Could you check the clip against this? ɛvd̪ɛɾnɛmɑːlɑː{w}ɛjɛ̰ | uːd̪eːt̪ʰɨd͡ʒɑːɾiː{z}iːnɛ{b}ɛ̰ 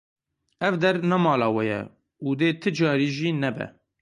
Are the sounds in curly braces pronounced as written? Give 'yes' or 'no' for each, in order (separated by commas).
yes, no, yes